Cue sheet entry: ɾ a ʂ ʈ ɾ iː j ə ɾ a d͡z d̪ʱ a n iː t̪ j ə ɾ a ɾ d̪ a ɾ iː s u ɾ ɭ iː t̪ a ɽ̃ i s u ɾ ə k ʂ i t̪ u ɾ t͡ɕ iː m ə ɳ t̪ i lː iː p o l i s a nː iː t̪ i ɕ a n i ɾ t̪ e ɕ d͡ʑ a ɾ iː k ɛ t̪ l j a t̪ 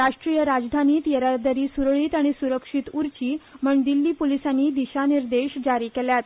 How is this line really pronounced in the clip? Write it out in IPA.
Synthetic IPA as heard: ɾ a ʂ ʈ ɾ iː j ə ɾ a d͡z d̪ʱ a n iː t̪ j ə ɾ a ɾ d̪ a ɾ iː s u ɾ ɭ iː t̪ a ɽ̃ i s u ɾ ə k ʂ i t̪ u ɾ t͡ɕ iː m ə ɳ d̪ i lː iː p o l i s a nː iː d̪ i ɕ a n i ɾ d̪ e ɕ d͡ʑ a ɾ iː k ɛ l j a t̪

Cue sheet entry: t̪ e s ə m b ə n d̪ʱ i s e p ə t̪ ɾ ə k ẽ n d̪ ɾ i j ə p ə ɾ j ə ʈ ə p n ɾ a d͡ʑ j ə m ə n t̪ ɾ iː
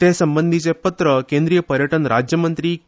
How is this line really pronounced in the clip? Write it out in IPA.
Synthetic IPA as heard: t̪ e s ə m b ə n d̪ʱ i t͡s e p ə t̪ ɾ ə k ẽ n d̪ ɾ i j ə p ə ɾ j ə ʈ ə n ɾ a d͡ʑ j ə m ə n t̪ ɾ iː

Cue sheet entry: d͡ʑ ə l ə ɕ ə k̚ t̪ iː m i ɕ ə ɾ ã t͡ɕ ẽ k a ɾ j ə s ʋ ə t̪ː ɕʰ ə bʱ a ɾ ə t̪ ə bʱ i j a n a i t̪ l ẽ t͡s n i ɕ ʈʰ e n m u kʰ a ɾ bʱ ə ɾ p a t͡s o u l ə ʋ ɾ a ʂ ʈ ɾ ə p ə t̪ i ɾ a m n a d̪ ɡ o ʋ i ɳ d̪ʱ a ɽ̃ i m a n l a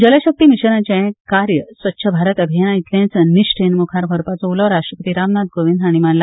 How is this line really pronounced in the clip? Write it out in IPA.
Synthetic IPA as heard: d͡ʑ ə l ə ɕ ə k̚ t̪ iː m i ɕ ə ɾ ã t͡ɕ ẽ k a ɾ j ə s ʋ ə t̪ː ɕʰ ə bʱ a ɾ ə t̪ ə bʱ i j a n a i t̪ l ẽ t͡s n i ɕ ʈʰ e n m u kʰ a ɾ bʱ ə ɾ p a t͡s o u l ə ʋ ɾ a ʂ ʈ ɾ ə p ə t̪ i ɾ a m n a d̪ ɡ o ʋ i n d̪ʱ a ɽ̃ i m a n l a

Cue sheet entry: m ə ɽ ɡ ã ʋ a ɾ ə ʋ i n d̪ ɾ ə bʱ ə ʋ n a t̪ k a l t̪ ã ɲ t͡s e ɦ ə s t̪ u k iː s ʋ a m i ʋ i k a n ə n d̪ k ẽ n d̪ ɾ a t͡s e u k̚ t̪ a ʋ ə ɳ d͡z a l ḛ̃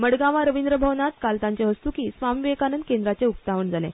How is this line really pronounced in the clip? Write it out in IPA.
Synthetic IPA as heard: m ə ɽ ɡ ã ʋ a ɾ ə ʋ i n d̪ ɾ ə bʱ ə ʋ n a t̪ k a l t̪ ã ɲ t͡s e ɦ ə s t̪ u k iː s ʋ a m i ʋ e k a n ə n d̪ k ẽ n d̪ ɾ a t͡s e u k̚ t̪ a ʋ ə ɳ d͡z a l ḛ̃

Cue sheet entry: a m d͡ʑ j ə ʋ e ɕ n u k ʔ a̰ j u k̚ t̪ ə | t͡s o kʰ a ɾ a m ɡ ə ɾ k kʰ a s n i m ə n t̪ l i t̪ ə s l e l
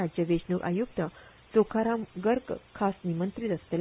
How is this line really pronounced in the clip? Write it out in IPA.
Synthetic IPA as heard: a d͡ʑ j ə ʋ e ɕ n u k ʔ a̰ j u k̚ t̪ ə | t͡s o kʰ a ɾ a m ɡ ə ɾ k kʰ a s n i m ə n t̪ ɾ i t̪ ə s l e l

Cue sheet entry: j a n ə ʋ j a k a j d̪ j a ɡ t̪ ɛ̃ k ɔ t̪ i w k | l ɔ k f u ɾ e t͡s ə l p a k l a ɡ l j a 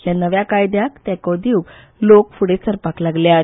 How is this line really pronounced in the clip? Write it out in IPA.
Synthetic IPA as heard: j a n ə ʋ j a k a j d̪ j a k t̪ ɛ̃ k ɔ d̪ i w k | l o k f u ɽ e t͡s ə ɾ p a k l a ɡ l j a

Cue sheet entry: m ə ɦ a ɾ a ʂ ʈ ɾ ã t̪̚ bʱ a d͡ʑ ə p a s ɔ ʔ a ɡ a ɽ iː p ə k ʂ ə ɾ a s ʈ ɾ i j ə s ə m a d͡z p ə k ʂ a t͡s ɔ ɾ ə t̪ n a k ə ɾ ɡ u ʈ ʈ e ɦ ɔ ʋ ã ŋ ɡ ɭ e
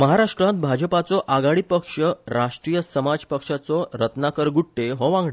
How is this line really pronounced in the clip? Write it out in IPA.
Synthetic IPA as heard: m ə ɦ a ɾ a ʂ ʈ ɾ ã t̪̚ bʱ a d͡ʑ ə p a t͡s ɔ ʔ a ɡ a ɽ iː p ə k ʂ ə ɾ a ʂ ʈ ɾ i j ə s ə m a d͡z p ə k ʂ a t͡s ɔ ɾ ə t̪ n a k ə ɾ ɡ u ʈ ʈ e ɦ ɔ ʋ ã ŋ ɡ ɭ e

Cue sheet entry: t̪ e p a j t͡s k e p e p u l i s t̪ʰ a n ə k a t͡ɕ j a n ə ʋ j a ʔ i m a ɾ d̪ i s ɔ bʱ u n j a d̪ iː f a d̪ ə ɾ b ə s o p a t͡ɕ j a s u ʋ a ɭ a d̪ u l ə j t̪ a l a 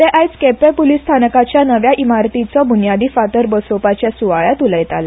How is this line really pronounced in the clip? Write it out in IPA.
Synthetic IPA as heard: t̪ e ʔ a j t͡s k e p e p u l i s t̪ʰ a n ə k a t͡ɕ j a n ə ʋ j a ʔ i m a ɾ t̪ i t͡s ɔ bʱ u n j a d̪ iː f a t̪ ə ɾ b ə s o p a t͡ɕ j a s u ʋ a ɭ a t̪ u l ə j t̪ a l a

